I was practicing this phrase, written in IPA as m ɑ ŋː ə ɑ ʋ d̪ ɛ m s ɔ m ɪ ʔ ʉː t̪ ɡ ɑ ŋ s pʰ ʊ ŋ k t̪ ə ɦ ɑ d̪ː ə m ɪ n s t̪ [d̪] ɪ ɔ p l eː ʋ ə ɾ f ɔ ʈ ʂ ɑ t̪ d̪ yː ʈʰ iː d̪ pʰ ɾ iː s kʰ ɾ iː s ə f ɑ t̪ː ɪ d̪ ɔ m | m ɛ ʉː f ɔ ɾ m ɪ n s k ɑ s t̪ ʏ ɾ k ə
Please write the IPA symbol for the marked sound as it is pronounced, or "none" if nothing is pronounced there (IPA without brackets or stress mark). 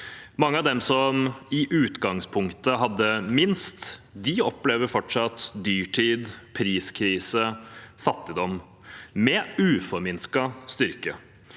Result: d̪